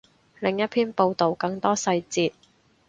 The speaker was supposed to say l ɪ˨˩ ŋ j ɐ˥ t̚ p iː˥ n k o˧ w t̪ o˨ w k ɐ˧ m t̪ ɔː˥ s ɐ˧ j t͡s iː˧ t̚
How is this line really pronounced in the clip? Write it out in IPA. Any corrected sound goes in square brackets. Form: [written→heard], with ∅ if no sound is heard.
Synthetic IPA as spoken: l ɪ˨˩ ŋ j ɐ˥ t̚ [p→pʰ] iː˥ n [k→p] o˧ w t̪ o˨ w k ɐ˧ [m→ŋ] t̪ ɔː˥ s ɐ˧ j t͡s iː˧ t̚